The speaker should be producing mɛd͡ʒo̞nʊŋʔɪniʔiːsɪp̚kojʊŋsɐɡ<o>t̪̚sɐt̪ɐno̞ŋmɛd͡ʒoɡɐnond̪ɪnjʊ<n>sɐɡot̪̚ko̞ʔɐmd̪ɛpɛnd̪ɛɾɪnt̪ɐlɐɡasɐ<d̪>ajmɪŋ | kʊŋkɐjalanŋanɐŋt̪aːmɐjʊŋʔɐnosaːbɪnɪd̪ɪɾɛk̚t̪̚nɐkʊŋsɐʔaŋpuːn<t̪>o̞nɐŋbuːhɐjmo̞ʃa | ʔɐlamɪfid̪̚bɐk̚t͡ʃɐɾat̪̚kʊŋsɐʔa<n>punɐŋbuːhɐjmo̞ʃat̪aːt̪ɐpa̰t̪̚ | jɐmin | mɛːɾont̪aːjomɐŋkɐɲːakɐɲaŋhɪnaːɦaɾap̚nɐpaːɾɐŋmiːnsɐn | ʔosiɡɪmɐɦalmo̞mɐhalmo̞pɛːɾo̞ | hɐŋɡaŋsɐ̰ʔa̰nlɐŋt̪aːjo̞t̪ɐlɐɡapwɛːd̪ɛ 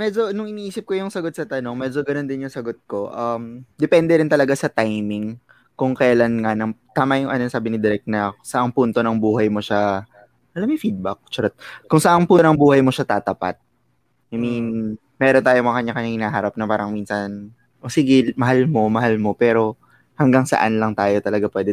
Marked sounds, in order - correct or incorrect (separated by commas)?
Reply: correct, incorrect, incorrect, correct, incorrect